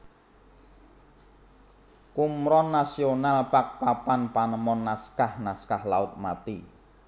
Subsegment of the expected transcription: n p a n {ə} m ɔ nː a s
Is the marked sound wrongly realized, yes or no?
no